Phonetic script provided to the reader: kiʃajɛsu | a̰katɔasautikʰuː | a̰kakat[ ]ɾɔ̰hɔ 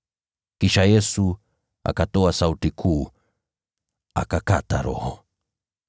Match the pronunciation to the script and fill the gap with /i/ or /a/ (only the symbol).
a